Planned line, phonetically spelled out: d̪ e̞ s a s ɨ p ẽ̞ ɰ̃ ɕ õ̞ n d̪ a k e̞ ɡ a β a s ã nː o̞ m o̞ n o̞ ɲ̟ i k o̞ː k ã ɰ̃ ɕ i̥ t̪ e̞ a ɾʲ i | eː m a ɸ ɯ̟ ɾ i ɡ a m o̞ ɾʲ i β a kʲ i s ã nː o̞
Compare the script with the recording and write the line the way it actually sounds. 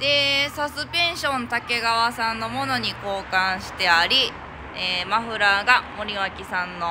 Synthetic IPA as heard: d̪ e̞ s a s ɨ p ẽ̞ ɰ̃ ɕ õ̞ n t̪ a k e̞ ɡ a β a s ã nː o̞ m o̞ n o̞ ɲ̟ i k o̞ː k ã ɰ̃ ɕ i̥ t̪ e̞ a ɾʲ i | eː m a ɸ ɯ̟ ɾ a ɡ a m o̞ ɾʲ i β a kʲ i s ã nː o̞